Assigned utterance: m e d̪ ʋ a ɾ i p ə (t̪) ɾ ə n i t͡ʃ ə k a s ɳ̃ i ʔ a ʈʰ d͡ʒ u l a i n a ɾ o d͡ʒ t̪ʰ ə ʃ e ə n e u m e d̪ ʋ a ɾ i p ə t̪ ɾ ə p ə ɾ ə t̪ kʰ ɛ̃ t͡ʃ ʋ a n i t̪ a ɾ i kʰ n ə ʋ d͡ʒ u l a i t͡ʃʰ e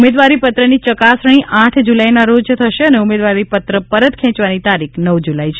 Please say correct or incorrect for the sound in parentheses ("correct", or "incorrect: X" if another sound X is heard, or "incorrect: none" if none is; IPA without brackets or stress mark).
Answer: correct